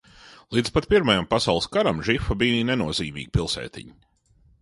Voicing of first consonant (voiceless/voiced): voiced